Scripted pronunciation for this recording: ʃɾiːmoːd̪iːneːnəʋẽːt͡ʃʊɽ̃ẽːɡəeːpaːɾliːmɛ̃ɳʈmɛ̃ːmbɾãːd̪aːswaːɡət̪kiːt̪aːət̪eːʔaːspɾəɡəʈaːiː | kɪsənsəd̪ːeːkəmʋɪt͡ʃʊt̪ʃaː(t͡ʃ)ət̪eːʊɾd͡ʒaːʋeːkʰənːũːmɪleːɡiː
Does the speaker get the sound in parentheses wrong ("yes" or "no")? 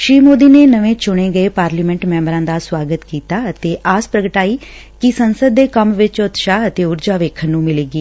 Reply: yes